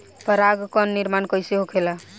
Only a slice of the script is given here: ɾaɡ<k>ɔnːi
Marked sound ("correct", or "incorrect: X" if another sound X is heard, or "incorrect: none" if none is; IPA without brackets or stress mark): correct